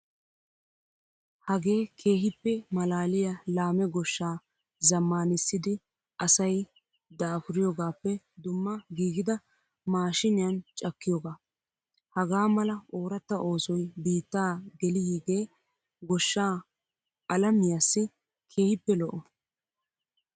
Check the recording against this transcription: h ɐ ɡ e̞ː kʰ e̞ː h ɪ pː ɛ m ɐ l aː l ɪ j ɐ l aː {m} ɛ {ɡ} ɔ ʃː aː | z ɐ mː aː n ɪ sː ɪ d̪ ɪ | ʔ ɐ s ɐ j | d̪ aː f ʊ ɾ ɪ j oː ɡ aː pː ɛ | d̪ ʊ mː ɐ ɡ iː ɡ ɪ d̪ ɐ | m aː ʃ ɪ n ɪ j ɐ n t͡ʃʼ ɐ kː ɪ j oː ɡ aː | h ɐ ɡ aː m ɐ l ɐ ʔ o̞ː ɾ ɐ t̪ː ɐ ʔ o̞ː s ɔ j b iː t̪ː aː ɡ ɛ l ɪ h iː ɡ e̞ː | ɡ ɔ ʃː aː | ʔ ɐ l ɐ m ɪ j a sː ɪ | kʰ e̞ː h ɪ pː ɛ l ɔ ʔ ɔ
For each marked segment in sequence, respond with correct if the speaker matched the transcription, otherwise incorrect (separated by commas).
correct, correct